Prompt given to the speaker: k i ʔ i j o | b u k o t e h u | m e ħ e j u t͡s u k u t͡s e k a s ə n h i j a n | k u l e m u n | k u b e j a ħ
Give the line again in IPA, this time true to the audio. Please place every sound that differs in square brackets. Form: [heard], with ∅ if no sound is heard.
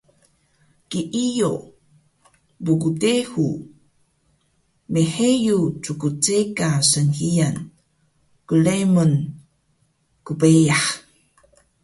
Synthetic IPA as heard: k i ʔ i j o | b u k [u] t e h u | m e ħ e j u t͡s u k u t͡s e k a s ə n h i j a n | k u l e m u n | k u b e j a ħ